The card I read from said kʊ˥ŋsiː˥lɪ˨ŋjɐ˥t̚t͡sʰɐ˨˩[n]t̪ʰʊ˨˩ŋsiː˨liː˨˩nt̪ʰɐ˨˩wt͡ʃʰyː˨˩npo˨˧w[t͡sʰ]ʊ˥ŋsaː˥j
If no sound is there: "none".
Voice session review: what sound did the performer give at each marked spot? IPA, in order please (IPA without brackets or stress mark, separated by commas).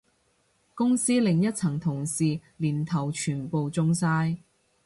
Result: ŋ, t͡s